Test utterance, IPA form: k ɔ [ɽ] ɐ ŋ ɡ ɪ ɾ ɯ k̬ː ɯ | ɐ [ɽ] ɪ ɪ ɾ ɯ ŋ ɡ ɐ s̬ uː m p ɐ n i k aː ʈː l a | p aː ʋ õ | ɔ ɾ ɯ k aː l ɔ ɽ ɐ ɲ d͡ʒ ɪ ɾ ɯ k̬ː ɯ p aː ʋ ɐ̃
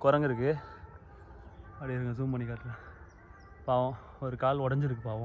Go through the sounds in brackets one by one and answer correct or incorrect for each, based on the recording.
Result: incorrect, correct

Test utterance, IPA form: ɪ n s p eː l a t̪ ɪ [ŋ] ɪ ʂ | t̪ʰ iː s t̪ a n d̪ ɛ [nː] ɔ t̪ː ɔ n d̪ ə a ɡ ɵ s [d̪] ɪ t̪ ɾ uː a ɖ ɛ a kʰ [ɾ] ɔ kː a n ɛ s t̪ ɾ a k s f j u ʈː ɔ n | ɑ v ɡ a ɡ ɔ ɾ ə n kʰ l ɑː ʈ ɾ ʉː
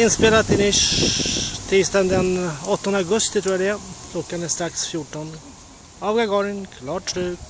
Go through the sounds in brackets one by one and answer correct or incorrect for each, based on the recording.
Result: incorrect, incorrect, incorrect, incorrect

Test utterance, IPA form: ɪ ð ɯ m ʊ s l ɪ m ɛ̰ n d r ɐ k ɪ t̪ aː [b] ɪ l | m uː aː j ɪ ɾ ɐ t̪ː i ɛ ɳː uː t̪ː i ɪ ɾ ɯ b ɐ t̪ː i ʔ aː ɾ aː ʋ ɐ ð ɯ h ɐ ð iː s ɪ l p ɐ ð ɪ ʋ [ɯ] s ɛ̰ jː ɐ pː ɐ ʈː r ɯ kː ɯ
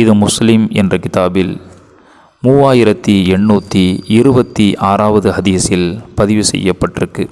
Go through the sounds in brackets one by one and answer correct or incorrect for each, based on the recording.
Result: correct, correct

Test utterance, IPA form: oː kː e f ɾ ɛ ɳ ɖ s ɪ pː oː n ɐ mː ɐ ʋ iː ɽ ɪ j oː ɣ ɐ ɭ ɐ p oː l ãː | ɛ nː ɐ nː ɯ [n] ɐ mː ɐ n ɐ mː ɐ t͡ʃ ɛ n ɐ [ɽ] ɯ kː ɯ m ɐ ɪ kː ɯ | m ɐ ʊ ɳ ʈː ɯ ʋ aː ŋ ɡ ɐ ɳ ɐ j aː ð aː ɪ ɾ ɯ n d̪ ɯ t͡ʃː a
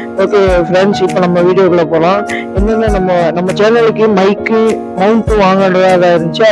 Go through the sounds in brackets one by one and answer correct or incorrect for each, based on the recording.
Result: correct, incorrect

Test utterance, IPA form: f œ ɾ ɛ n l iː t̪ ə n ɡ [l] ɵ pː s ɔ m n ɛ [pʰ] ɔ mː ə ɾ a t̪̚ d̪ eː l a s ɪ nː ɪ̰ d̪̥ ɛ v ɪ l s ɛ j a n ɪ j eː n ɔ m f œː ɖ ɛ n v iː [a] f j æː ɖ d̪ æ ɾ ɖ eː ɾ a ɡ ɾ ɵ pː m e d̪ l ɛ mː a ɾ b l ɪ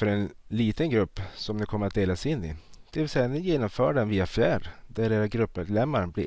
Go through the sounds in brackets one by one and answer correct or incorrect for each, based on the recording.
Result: incorrect, incorrect, correct

